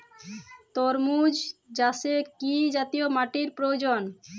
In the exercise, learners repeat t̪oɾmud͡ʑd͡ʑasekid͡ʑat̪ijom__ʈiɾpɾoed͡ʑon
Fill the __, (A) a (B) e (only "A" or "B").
A